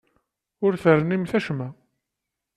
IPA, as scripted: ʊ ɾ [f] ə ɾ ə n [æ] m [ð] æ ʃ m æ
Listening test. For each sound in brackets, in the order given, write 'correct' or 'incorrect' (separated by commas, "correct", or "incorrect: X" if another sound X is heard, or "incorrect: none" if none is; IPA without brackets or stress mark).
incorrect: θ, incorrect: i, incorrect: θ